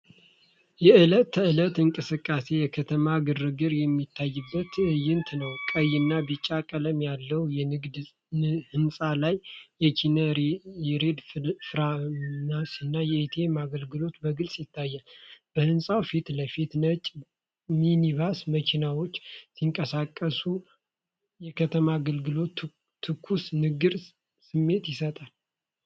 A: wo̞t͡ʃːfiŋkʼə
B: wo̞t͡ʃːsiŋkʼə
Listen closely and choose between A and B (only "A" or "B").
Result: B